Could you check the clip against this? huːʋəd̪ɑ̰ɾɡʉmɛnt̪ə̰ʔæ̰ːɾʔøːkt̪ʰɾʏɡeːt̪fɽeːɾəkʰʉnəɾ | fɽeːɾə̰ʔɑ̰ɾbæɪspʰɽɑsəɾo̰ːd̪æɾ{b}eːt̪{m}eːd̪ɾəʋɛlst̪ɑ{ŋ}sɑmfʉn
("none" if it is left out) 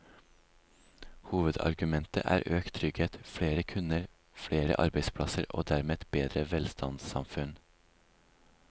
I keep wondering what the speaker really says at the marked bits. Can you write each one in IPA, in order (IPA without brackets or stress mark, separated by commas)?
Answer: m, b, n